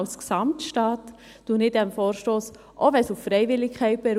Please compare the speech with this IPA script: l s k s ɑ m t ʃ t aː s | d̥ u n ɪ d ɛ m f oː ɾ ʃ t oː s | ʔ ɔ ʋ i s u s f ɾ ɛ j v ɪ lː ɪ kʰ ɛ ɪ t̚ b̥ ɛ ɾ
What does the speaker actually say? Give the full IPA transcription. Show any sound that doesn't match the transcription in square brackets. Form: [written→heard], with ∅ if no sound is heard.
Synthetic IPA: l s k s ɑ m t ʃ t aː [s→t] | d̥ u n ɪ d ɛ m f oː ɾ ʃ t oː s | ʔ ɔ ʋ [i→ɛ] s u [s→f] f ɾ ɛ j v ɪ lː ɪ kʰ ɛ ɪ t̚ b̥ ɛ ɾ